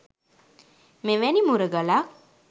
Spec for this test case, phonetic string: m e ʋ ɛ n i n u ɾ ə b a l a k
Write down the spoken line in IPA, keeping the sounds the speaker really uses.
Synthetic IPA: m e ʋ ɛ n i m u ɾ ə ɡ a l a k